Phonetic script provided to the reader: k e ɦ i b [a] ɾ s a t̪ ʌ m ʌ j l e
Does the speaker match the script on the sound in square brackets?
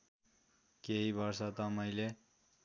no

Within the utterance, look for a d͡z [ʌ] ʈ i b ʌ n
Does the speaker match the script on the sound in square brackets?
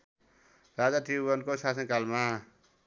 no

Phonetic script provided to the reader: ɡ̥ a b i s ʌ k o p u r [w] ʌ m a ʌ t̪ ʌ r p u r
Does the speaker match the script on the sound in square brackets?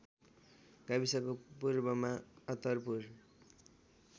no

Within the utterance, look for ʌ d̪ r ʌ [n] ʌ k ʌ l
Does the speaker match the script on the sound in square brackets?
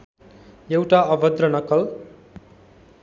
yes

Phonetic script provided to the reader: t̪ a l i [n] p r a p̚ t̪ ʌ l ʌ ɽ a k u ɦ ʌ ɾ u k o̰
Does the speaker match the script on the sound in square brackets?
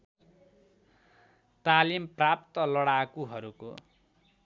no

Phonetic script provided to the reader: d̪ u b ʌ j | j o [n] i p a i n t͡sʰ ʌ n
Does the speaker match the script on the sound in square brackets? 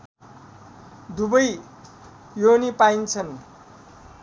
yes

